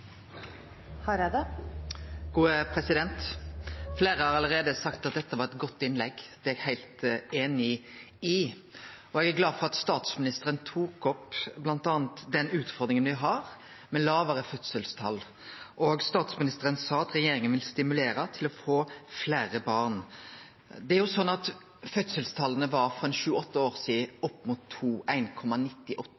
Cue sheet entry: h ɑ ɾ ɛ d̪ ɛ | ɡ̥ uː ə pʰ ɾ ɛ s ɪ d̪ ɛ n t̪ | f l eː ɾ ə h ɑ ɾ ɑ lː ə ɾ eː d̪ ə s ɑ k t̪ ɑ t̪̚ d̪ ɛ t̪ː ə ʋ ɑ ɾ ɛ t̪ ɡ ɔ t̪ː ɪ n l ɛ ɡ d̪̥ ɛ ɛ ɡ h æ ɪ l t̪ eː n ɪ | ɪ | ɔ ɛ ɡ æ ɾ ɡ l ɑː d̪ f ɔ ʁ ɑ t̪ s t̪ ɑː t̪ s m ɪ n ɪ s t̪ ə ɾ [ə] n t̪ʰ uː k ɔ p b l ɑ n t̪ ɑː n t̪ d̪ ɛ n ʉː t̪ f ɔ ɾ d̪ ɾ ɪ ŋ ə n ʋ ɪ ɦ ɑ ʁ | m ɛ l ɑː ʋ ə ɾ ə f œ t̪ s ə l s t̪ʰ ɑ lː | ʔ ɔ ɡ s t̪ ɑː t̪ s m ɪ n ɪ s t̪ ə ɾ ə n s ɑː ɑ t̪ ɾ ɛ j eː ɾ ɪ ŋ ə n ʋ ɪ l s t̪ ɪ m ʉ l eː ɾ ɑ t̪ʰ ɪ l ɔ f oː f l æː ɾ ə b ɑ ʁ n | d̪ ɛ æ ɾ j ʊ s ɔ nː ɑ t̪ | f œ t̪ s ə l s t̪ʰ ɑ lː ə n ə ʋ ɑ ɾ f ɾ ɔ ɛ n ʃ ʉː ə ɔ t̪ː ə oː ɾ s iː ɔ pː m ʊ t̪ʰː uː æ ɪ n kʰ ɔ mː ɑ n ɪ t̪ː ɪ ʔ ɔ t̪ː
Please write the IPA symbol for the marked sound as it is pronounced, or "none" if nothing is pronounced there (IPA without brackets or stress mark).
ə